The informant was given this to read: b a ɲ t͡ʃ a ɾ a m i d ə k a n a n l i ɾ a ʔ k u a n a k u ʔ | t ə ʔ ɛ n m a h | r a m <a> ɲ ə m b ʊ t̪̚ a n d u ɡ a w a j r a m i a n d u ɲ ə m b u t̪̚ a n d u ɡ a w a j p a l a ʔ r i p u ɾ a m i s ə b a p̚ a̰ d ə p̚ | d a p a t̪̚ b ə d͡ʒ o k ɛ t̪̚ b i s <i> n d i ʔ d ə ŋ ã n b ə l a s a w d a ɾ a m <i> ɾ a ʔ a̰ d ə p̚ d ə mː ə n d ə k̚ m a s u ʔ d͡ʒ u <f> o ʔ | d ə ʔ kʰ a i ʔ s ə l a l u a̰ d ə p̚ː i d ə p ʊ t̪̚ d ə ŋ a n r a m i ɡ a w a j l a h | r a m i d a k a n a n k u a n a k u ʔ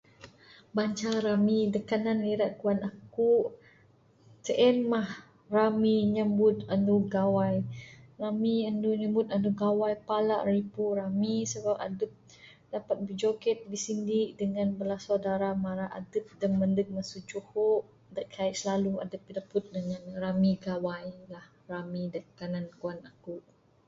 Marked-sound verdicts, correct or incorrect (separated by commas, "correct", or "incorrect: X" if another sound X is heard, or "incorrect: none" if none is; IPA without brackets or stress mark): incorrect: i, correct, incorrect: a, incorrect: h